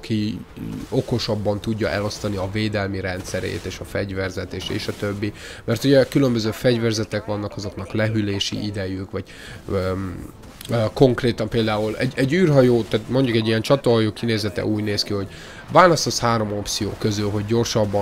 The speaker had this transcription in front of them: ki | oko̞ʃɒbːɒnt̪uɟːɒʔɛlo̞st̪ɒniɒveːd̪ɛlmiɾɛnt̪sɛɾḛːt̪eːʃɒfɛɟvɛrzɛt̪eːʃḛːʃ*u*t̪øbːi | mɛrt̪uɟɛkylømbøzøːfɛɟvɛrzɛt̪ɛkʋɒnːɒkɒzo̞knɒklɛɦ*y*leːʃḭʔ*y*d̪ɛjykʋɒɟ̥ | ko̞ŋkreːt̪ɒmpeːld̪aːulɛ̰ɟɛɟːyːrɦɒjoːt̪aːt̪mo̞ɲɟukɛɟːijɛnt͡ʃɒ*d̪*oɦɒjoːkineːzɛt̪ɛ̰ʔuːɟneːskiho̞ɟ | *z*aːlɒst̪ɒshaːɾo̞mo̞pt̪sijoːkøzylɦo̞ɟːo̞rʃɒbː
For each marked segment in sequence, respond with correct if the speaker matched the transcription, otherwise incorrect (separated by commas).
incorrect, correct, incorrect, incorrect, incorrect